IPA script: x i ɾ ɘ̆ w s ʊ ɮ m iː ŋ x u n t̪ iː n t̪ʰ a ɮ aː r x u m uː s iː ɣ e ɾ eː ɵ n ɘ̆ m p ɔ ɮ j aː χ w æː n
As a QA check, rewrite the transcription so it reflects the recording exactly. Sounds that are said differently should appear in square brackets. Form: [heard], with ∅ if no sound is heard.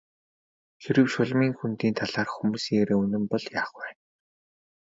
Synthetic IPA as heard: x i ɾ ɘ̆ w [ʃ] ʊ ɮ m iː ŋ x u n t̪ iː n t̪ʰ a ɮ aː r x u m uː s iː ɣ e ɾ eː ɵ n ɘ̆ m p ɔ ɮ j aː χ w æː n